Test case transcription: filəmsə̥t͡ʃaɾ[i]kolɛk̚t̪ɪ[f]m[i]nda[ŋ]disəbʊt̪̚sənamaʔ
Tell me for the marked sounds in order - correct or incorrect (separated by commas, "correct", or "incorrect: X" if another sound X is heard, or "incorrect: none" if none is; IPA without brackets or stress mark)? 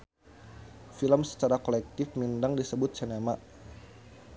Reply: incorrect: a, correct, correct, correct